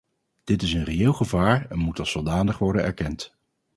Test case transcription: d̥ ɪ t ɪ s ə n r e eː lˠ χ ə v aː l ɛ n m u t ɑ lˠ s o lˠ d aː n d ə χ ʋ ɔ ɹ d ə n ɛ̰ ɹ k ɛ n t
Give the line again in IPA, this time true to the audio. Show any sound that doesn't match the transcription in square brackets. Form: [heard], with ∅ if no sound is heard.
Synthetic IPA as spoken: d̥ ɪ t ɪ s ə n r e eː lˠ χ ə v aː [ɹ] ɛ n m u t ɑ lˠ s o lˠ d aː n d ə χ ʋ ɔ ɹ d ə n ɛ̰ ɹ k ɛ n t